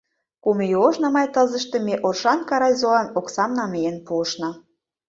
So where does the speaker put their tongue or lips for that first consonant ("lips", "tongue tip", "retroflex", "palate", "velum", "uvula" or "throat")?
velum